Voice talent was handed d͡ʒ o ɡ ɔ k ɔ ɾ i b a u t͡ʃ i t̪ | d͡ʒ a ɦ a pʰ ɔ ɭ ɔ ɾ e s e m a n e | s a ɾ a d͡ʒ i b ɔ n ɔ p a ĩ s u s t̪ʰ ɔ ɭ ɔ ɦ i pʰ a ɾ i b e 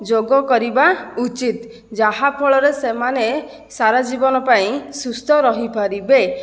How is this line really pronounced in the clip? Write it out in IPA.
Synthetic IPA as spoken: d͡ʒ o ɡ ɔ k ɔ ɾ i b a u t͡ʃ i t̪ | d͡ʒ a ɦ a pʰ ɔ ɭ ɔ ɾ e s e m a n e | s a ɾ a d͡ʒ i b ɔ n ɔ p a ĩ s u s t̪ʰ ɔ ɾ ɔ ɦ i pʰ a ɾ i b e